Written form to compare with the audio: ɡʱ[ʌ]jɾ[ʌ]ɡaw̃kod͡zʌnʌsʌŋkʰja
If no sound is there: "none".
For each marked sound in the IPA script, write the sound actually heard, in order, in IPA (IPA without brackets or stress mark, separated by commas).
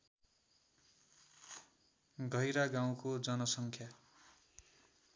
ʌ, a